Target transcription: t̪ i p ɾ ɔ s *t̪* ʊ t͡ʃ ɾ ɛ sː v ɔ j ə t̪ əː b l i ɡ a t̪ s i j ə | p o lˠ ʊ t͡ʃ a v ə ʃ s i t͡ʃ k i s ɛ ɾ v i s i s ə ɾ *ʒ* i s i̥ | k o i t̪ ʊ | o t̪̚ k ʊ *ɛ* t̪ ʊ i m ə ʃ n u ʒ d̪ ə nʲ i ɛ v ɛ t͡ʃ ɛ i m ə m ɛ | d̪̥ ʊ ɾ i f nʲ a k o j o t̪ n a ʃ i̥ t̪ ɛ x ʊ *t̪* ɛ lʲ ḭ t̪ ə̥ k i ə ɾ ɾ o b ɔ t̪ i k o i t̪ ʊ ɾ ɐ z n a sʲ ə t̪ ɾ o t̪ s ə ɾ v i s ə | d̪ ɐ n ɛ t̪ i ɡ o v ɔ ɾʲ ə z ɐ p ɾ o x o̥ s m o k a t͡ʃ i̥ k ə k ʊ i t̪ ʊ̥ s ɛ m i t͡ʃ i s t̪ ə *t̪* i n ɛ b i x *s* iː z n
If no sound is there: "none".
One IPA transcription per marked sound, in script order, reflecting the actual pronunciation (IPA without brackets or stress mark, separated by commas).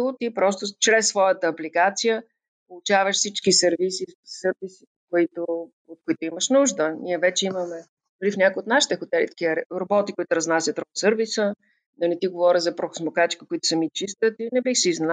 t̪, v, i, t̪, t̪, s